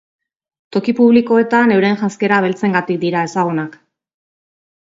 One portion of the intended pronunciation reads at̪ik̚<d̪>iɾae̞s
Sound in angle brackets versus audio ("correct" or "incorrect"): correct